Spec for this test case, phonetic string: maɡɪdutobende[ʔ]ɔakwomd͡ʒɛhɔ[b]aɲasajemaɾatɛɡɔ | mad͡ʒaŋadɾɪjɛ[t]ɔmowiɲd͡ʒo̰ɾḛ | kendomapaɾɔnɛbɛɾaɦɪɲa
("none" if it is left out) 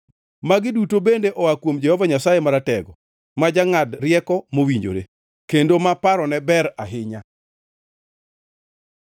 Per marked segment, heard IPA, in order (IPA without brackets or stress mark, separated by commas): ʔ, v, k